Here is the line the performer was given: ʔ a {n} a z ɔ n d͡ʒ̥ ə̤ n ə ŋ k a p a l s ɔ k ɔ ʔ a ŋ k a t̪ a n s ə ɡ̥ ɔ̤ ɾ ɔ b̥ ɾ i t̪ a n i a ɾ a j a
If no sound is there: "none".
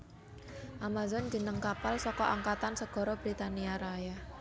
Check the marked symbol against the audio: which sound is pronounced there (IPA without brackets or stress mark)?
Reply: m